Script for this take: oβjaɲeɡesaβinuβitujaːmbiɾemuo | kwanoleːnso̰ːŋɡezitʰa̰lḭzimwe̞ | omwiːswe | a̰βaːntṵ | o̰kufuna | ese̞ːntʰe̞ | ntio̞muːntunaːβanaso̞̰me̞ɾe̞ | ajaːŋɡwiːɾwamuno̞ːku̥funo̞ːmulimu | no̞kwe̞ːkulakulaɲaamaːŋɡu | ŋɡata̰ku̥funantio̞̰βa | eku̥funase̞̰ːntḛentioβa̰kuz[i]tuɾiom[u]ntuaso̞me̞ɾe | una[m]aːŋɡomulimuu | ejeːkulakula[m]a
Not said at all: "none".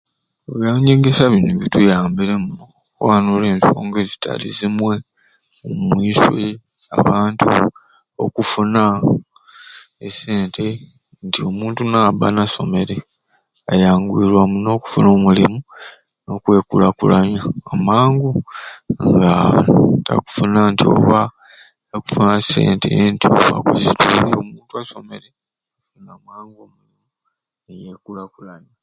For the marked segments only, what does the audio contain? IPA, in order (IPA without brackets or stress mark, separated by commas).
i, uː, m, ɲ